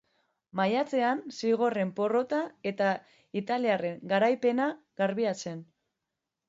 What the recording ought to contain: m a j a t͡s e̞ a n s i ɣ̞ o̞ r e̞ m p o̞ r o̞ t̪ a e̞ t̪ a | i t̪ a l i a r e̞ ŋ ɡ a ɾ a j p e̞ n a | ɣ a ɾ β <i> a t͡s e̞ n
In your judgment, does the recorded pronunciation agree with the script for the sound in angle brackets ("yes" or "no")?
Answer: yes